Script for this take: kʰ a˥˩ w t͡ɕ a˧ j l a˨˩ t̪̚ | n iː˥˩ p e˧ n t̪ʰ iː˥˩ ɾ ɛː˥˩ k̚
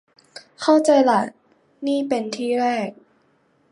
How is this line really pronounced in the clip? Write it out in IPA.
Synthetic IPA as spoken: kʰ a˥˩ w t͡ɕ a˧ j l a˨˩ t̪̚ | n iː˥˩ p e˧ n t̪ʰ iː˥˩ ɾ ɛː˥˩ k̚